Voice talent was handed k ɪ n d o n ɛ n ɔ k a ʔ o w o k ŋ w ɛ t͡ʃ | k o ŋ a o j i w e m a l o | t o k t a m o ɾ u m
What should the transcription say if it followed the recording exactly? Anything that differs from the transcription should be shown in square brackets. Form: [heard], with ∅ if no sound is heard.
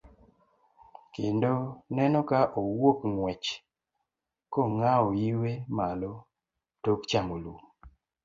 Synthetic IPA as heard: k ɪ n d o n ɛ n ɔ k a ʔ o w o k ŋ w ɛ t͡ʃ | k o ŋ a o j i w e m a l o | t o k [t͡ʃ] a m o [l] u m